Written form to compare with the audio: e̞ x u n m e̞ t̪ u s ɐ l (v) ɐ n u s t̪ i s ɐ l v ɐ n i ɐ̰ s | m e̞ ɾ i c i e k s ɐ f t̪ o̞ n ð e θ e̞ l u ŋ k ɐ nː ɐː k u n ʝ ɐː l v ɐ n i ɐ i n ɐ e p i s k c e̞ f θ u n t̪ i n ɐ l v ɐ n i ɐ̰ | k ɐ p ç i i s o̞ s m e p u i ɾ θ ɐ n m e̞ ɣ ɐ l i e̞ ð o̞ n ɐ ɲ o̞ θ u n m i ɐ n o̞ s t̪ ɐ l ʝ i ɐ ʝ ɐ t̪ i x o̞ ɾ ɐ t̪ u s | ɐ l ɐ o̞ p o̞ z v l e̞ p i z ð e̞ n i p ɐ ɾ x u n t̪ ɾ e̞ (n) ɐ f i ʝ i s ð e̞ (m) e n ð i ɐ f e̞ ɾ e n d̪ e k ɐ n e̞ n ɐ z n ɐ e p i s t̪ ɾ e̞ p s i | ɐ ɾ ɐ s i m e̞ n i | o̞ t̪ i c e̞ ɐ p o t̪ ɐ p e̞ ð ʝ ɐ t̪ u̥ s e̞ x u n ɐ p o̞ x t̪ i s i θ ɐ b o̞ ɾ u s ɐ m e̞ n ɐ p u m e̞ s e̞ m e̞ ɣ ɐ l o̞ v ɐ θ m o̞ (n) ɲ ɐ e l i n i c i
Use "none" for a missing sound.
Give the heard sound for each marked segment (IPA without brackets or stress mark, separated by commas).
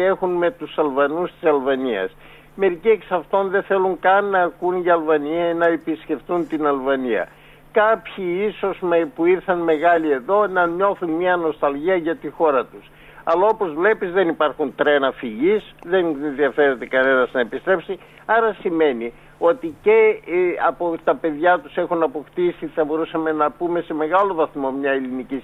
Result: v, n, n, m